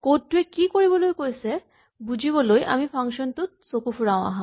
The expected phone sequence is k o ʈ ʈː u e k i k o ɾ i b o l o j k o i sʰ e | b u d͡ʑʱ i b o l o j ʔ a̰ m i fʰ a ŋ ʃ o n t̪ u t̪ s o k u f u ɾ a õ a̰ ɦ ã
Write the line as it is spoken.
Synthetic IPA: k o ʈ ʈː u e k i k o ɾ i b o l o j k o j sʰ e | b u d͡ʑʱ i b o l o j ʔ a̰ m i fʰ a ŋ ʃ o n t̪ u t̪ s o k u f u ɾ a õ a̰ ɦ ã